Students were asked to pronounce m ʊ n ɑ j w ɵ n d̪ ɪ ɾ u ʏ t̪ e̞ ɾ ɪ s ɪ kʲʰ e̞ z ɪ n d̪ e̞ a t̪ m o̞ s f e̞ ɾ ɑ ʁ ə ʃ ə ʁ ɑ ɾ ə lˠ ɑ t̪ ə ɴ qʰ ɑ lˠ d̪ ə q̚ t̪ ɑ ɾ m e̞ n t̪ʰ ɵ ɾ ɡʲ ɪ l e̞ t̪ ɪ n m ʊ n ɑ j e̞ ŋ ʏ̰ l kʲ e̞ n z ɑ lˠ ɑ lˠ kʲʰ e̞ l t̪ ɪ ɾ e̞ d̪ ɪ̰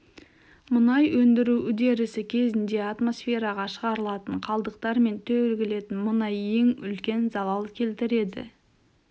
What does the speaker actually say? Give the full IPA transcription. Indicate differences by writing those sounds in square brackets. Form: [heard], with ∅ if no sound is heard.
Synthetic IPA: m ʊ n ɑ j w ɵ n d̪ ɪ ɾ u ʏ [d̪] e̞ ɾ ɪ s ɪ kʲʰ e̞ z ɪ n d̪ e̞ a t̪ m o̞ s f e̞ ɾ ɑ ʁ [ɑ] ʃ ə ʁ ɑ ɾ ə lˠ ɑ t̪ ə ɴ qʰ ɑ lˠ d̪ ə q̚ t̪ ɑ ɾ m e̞ n t̪ʰ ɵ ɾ ɡʲ ɪ l e̞ t̪ ɪ n m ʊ n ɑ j e̞ ŋ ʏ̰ l kʲ e̞ n z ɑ lˠ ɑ lˠ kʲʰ e̞ l t̪ ɪ ɾ e̞ d̪ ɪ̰

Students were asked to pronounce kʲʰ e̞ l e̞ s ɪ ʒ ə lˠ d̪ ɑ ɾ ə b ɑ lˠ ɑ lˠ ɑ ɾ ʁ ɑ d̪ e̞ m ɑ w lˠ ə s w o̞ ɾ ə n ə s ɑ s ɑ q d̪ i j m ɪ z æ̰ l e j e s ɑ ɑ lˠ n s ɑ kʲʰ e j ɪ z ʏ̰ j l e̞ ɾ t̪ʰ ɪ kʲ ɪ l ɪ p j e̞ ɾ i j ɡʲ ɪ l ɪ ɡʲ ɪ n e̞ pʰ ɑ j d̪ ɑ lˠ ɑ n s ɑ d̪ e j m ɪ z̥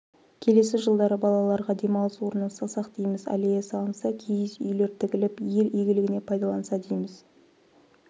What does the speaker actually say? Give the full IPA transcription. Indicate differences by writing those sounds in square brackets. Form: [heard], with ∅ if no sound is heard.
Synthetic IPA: kʲʰ e̞ l e̞ s ɪ ʒ ə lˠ d̪ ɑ ɾ ə b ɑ lˠ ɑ lˠ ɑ ɾ ʁ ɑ d̪ e̞ m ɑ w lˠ ə s w o̞ ɾ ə n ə s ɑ s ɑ q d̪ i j m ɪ z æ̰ l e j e s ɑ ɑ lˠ n s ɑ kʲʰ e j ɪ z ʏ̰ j l e̞ ɾ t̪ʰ ɪ kʲ ɪ l ɪ p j e̞ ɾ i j ɡʲ ɪ l ɪ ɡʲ ɪ n e̞ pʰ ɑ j d̪ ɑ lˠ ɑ n s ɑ d̪ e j m ɪ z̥

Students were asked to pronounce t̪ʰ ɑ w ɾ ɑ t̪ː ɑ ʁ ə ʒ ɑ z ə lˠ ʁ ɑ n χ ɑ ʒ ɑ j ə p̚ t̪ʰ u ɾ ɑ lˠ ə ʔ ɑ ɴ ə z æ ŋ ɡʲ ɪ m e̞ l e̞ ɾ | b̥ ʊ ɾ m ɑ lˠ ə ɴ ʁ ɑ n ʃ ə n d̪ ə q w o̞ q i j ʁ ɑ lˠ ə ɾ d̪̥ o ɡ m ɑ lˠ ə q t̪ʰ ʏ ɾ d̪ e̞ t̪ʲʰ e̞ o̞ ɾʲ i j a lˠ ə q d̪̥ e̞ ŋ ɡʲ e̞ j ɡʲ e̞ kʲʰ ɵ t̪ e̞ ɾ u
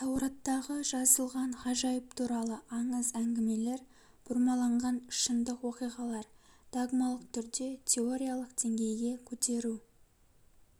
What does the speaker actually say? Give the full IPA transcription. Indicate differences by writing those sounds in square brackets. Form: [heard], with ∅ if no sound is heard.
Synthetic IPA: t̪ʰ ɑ w ɾ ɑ t̪ː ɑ ʁ ə ʒ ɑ z ə lˠ ʁ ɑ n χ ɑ ʒ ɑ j ə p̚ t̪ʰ u ɾ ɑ lˠ ə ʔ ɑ ɴ ə z æ ŋ ɡʲ ɪ m e̞ l e̞ ɾ | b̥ ʊ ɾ m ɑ lˠ [ɑ] ɴ ʁ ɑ n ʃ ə n d̪ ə q w o̞ q i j ʁ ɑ lˠ [ɑ] ɾ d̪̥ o ɡ m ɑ lˠ ə q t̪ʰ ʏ ɾ d̪ e̞ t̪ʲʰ e̞ o̞ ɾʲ i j a lˠ ə q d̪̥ e̞ ŋ ɡʲ e̞ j ɡʲ e̞ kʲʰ ɵ t̪ e̞ ɾ u

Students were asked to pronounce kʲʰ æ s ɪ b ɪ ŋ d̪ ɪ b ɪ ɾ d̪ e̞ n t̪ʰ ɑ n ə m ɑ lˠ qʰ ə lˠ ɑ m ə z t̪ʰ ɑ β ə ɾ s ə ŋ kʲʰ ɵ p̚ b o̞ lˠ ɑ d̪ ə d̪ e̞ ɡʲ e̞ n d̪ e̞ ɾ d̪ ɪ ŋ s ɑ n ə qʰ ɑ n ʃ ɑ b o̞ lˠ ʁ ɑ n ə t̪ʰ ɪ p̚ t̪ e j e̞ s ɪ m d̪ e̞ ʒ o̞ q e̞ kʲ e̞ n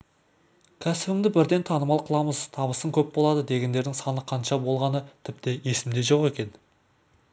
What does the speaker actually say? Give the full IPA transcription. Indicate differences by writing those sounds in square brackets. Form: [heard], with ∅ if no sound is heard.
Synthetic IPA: kʲʰ æ s ɪ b ɪ ŋ d̪ ɪ b ɪ ɾ d̪ e̞ n t̪ʰ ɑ n ə m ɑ lˠ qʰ ə lˠ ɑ m ə z t̪ʰ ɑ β ə [∅] s ə ŋ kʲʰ ɵ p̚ b o̞ lˠ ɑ d̪ ə d̪ e̞ ɡʲ e̞ n d̪ e̞ ɾ d̪ ɪ ŋ s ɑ n ə qʰ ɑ n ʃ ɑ b o̞ lˠ ʁ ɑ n ə t̪ʰ ɪ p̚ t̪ e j e̞ s ɪ m d̪ e̞ ʒ o̞ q e̞ kʲ e̞ n

